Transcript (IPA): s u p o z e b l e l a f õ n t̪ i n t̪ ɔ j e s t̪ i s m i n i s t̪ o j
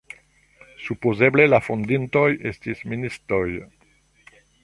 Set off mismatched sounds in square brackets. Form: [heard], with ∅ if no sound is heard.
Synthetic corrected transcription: s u p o z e b l e l a f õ n [d̪] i n t̪ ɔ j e s t̪ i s m i n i s t̪ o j